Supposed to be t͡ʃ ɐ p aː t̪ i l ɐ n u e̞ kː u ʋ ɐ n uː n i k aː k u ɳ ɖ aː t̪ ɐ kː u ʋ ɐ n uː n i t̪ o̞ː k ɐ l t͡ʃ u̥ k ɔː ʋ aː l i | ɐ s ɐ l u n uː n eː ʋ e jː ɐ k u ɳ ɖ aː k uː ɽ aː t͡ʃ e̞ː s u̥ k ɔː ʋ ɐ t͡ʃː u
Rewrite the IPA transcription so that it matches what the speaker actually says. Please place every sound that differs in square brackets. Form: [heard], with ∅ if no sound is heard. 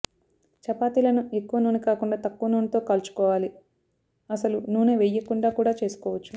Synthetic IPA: t͡ʃ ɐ p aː t̪ i l ɐ n u e̞ kː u ʋ ɐ n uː n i k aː k u ɳ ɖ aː t̪ ɐ kː u ʋ ɐ n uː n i t̪ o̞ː k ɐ l t͡ʃ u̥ k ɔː ʋ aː l i | ɐ s ɐ l u n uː n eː ʋ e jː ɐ k u ɳ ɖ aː k uː ɽ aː t͡ʃ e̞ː s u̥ k ɔː ʋ ɐ t͡ʃː u